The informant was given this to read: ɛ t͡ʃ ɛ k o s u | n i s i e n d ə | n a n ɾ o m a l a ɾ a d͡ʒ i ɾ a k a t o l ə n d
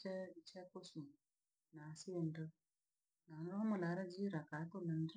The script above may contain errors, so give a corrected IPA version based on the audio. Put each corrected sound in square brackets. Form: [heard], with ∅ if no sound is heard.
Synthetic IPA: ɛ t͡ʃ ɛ k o s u | n [a] s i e n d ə | n a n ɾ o m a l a ɾ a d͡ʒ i ɾ a k a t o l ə n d